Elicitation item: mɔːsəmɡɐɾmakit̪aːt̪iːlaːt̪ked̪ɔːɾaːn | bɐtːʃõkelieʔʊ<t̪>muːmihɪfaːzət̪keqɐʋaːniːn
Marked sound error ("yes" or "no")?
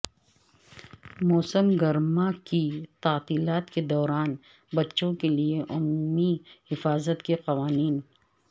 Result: yes